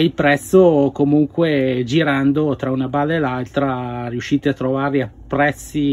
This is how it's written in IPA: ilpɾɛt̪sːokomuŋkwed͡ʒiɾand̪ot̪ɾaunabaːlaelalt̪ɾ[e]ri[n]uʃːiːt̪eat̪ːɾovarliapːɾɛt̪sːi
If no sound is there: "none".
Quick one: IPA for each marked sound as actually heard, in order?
a, none

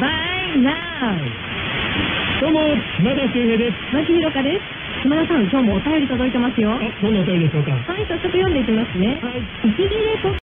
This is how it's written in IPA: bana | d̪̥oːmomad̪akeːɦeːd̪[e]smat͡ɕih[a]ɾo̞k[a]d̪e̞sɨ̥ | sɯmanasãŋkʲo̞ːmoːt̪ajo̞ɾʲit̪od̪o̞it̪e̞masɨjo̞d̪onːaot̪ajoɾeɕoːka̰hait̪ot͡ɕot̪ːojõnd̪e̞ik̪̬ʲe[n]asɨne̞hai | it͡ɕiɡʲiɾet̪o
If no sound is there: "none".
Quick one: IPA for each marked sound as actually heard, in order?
e, i, a, m

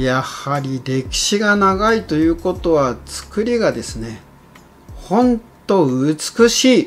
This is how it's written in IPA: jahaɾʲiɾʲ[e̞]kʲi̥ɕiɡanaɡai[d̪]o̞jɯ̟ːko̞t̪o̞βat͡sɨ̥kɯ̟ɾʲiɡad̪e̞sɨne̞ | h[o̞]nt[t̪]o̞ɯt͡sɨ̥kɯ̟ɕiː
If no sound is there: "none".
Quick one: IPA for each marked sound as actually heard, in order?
e̞, t̪, õ̞, t̪

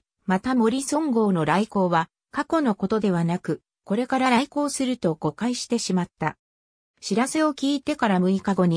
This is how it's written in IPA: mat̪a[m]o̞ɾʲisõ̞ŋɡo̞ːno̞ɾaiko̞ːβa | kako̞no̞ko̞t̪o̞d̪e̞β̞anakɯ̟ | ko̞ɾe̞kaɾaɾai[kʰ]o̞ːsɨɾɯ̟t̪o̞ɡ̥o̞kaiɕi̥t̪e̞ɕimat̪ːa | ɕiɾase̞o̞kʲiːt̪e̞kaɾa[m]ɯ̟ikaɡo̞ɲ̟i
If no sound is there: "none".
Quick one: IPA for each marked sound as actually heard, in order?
m, k, m

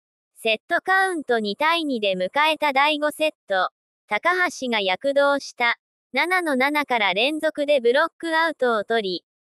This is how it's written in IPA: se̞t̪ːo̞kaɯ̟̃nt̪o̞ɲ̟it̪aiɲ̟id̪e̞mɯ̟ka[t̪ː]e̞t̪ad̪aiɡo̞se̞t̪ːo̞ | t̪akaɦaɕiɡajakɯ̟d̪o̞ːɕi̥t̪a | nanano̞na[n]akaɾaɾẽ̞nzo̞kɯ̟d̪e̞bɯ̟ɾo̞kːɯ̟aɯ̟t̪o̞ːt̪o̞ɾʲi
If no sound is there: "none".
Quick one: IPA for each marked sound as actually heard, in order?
none, n

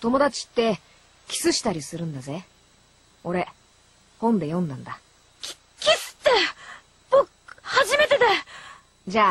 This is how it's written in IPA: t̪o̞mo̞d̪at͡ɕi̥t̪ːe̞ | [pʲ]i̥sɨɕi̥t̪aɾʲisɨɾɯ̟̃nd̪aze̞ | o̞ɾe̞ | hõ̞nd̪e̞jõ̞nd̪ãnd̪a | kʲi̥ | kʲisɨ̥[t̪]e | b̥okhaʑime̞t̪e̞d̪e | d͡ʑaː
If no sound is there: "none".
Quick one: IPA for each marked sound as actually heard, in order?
kʲ, t̪

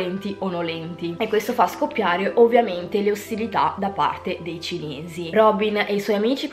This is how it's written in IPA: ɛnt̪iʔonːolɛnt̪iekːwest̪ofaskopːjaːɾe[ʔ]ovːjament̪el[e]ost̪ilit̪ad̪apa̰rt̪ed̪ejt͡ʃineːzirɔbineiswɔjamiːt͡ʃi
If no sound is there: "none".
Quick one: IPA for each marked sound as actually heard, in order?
ʔ, e

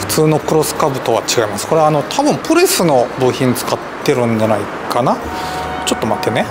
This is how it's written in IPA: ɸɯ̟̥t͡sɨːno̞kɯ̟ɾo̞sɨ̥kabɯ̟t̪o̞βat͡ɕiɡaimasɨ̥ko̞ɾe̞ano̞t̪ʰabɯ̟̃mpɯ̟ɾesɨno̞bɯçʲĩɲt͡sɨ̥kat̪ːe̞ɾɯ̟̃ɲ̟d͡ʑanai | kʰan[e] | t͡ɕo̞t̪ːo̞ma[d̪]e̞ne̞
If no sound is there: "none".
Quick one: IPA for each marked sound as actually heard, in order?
a, t̪

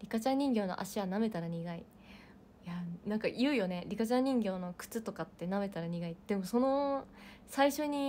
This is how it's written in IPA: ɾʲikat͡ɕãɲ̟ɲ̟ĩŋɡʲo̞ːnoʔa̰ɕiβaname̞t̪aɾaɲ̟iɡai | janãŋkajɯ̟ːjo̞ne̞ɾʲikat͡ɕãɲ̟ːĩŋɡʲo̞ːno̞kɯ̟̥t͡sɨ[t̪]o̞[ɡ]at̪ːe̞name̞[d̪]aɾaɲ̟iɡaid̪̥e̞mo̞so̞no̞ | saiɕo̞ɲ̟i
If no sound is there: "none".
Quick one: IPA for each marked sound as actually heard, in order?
t̪, k, t̪

